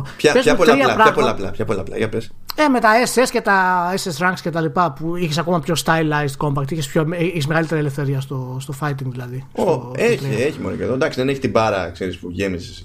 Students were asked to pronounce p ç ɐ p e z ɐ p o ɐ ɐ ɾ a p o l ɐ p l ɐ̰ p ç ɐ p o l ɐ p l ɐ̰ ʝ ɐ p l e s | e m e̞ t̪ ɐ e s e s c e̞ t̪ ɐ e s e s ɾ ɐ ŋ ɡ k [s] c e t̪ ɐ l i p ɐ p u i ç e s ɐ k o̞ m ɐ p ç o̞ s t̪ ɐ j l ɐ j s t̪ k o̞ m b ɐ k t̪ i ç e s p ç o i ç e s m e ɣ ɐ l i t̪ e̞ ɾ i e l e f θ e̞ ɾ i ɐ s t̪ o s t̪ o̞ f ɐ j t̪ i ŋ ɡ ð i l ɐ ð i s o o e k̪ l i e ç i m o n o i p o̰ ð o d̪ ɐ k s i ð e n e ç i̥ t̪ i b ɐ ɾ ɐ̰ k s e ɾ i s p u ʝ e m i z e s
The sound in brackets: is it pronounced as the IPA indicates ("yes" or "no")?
yes